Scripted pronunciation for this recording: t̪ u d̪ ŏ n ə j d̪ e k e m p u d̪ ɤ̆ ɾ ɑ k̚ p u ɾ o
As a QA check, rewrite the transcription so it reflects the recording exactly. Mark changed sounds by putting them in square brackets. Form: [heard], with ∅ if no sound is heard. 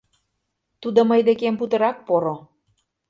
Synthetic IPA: t̪ u d̪ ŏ [m] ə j d̪ e k e m p u [t̪] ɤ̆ ɾ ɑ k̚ p [o] ɾ o